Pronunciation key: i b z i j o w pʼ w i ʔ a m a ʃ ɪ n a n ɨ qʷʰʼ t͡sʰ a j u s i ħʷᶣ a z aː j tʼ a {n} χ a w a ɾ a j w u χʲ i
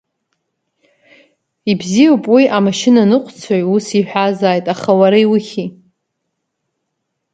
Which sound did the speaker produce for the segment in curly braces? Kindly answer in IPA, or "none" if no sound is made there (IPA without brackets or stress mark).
none